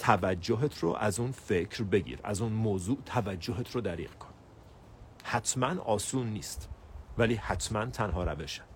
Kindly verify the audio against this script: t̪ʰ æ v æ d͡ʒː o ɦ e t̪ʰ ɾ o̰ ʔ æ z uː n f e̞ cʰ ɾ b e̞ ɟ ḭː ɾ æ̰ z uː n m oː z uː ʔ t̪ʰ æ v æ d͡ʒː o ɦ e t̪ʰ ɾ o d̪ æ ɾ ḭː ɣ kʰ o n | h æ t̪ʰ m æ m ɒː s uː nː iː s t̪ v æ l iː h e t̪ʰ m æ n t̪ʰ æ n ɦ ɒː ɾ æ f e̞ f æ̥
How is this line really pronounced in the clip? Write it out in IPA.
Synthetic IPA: t̪ʰ æ v æ d͡ʒː o ɦ e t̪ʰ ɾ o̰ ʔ æ z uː n f e̞ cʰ ɾ b e̞ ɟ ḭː ɾ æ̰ z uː n m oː z uː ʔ t̪ʰ æ v æ d͡ʒː o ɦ e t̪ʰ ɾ o d̪ æ ɾ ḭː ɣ kʰ o n | h æ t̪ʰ m æ n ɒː s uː nː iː s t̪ v æ l iː h æ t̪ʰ m æ n t̪ʰ æ n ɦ ɒː ɾ æ v e̞ ʃ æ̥